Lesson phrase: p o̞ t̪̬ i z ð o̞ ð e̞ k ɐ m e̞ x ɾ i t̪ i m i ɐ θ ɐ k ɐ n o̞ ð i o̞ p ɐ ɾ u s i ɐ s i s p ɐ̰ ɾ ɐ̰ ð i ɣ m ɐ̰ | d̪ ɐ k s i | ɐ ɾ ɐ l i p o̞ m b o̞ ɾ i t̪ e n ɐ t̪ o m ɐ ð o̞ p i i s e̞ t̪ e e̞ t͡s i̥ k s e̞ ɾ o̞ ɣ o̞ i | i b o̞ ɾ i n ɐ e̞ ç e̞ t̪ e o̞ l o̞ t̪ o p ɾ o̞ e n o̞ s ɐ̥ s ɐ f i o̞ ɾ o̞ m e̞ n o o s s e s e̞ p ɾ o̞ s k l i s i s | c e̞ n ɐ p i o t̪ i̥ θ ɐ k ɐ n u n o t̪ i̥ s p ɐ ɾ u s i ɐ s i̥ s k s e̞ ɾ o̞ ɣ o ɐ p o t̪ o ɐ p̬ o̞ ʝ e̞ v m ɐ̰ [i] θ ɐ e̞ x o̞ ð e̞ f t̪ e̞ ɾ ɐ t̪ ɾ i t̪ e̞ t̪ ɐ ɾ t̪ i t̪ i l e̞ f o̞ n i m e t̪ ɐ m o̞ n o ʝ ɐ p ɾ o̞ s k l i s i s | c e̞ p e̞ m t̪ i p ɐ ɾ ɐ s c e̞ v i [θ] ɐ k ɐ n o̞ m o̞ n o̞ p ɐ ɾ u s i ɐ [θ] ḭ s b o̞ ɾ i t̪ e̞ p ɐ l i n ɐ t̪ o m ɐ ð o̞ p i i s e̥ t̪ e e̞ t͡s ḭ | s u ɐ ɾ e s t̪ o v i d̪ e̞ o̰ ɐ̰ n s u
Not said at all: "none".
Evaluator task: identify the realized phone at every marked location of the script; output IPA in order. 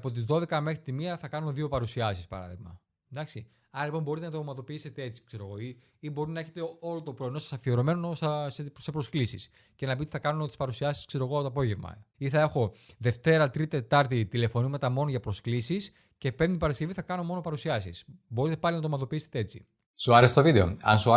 i, θ, s

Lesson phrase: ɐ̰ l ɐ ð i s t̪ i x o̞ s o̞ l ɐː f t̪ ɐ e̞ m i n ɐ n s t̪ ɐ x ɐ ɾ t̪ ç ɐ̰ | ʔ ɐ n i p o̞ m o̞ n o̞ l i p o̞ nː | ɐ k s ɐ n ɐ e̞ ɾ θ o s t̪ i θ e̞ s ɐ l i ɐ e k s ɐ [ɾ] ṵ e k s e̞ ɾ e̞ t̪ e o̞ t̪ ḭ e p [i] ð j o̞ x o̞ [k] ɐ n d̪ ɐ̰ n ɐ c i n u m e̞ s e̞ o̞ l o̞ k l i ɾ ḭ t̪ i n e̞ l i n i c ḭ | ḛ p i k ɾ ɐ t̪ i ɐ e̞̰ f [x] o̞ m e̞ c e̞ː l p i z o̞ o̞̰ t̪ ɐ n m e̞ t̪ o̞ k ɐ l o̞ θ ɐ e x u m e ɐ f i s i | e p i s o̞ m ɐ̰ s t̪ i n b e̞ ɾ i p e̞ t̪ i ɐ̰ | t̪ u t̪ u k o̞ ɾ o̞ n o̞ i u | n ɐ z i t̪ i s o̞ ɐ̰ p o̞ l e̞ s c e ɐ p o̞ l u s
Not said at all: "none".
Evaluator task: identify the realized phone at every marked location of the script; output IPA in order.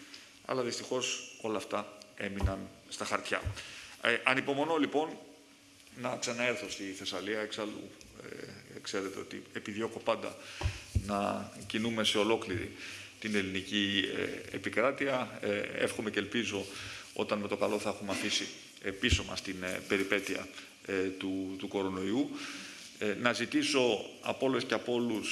l, i, p, x

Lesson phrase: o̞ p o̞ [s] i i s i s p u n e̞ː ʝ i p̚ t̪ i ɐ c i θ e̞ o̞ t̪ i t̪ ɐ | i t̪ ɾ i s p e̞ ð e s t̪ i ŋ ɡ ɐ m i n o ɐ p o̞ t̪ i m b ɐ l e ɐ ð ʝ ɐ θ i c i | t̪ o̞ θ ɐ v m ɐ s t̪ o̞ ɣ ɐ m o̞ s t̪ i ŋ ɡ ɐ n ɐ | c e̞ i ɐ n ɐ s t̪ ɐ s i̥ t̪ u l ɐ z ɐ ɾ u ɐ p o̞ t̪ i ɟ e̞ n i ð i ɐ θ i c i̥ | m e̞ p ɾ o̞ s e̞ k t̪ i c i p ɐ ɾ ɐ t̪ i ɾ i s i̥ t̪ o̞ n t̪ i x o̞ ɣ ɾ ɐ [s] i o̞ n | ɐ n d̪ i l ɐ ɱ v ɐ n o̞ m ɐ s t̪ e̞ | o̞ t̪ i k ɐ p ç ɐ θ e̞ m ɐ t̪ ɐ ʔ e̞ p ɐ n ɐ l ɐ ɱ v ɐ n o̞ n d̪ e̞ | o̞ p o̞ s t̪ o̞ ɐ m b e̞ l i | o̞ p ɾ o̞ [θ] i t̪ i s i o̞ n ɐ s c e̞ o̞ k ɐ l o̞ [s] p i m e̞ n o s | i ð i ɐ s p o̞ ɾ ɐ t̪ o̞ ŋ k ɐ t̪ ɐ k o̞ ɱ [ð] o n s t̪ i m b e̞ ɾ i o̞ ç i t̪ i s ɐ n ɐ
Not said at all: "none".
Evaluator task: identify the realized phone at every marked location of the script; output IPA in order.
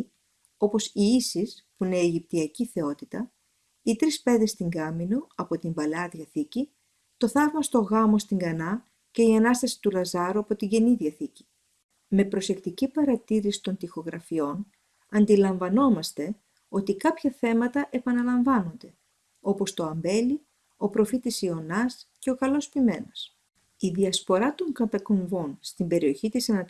s, f, f, s, v

